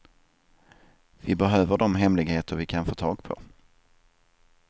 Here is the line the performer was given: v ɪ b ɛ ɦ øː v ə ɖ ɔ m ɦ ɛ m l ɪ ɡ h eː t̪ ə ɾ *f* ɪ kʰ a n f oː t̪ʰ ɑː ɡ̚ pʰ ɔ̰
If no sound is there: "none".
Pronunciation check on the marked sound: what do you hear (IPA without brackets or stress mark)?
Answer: v